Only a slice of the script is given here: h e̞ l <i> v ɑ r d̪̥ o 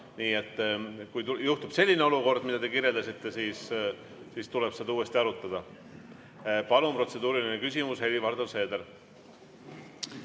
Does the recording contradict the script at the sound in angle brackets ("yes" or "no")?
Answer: no